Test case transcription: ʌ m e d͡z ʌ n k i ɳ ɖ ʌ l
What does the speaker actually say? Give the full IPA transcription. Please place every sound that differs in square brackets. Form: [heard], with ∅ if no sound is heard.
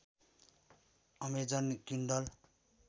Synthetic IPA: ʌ m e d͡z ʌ n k i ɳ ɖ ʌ l